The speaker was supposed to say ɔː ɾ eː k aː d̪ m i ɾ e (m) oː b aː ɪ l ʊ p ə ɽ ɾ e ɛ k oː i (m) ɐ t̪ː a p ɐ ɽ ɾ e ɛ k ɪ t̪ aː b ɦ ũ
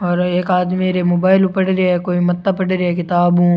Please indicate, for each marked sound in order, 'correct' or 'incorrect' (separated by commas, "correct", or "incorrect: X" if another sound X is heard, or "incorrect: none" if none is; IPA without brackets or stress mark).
correct, correct